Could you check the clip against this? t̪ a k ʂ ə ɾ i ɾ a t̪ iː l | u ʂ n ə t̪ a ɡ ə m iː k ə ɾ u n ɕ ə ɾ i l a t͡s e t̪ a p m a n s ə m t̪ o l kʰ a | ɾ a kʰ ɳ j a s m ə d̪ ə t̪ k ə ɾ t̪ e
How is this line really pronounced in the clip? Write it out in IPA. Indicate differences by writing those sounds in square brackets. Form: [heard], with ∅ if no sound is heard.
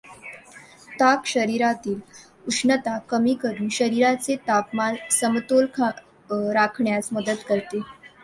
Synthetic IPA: t̪ a k [ɕ] ə ɾ i ɾ a t̪ iː l | u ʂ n ə t̪ a [k] ə m iː k ə ɾ [uː] n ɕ ə ɾ i [ɾ] a t͡s e t̪ a p m a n s ə m t̪ o l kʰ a | ɾ a kʰ ɳ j a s m ə d̪ ə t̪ k ə ɾ t̪ e

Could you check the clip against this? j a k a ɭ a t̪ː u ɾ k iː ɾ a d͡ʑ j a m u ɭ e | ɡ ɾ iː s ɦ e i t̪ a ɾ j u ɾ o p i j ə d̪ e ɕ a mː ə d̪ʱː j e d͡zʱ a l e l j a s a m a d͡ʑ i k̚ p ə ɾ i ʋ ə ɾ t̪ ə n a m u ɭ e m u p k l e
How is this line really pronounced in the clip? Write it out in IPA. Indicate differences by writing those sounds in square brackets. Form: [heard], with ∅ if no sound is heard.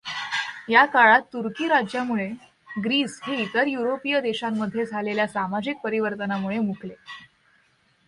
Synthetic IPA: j a k a ɭ a t̪ː u ɾ k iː ɾ a d͡ʑ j a m u ɭ e | ɡ ɾ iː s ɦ e i t̪ [ə] ɾ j u ɾ o p i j ə d̪ e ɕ a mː ə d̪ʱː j e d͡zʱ a l e l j a s a m a d͡ʑ i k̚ p ə ɾ i ʋ ə ɾ t̪ ə n a m u ɭ e m u [∅] k l e

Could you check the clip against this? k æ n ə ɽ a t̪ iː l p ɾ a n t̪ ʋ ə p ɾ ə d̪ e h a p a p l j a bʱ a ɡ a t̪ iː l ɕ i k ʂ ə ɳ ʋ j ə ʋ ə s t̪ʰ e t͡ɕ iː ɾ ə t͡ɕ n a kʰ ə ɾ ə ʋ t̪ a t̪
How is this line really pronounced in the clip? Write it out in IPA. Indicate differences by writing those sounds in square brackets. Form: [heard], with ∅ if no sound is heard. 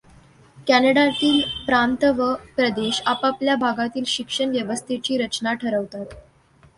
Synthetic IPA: k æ n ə ɽ a t̪ iː l p ɾ a n t̪ ʋ ə p ɾ ə d̪ e [ɕ] a p a p l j a bʱ a ɡ a t̪ iː l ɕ i k ʂ ə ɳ ʋ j ə ʋ ə s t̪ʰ e t͡ɕ iː ɾ ə t͡ɕ n a [ʈʰ] ə ɾ ə ʋ t̪ a t̪

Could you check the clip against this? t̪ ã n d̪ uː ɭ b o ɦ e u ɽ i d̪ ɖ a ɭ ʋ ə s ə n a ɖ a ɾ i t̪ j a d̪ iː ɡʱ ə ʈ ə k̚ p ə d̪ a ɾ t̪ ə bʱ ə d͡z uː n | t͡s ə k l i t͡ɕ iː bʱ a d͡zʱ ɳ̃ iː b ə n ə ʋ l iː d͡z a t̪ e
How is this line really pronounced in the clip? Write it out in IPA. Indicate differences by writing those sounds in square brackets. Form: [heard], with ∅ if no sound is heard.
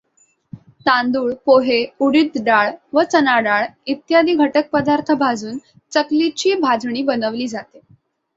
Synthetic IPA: t̪ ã n d̪ uː ɭ [p] o ɦ e u ɽ i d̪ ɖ a ɭ ʋ ə [t͡s] ə n a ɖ a [ɭ] i t̪ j a d̪ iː ɡʱ ə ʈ ə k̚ p ə d̪ a ɾ [t̪ʰ] ə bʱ [a] d͡z uː n | t͡s ə k l i t͡ɕ iː bʱ a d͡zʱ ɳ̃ iː b ə n ə ʋ l iː d͡z a t̪ e

